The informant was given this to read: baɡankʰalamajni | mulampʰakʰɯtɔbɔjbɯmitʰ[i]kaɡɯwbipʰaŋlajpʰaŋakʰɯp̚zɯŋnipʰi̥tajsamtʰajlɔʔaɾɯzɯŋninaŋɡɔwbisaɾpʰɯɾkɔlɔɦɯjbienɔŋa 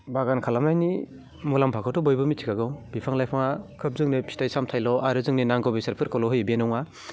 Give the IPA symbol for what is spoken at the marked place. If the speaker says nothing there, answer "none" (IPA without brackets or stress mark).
i